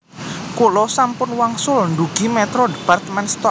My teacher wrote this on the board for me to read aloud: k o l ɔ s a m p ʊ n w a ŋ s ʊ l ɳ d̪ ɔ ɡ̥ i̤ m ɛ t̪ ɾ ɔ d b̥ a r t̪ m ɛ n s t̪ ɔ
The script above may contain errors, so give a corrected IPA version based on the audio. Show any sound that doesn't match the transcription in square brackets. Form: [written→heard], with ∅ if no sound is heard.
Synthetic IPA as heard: k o l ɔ s a m p ʊ n w a ŋ s ʊ l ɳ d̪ [ɔ→u] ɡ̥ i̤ m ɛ t̪ ɾ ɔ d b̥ a r t̪ m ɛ n s t̪ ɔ